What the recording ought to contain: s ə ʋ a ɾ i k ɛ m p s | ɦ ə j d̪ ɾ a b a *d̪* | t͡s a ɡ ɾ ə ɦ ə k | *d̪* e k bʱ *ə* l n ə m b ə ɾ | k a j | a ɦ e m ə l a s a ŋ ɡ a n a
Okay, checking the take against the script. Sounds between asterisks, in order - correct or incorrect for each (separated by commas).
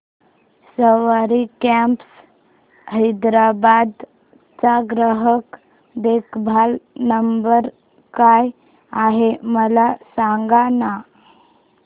correct, correct, incorrect